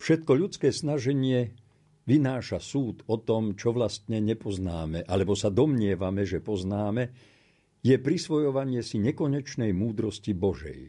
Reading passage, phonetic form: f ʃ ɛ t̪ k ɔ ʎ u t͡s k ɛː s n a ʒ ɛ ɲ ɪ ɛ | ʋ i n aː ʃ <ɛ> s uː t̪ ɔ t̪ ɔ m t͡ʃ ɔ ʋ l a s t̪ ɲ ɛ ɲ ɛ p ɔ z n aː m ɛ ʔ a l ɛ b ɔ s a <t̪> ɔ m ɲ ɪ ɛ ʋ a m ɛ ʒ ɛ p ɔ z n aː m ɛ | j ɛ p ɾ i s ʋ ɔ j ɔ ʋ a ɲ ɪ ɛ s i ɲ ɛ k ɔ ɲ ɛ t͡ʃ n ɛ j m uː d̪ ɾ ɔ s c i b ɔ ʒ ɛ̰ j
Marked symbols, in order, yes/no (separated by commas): no, no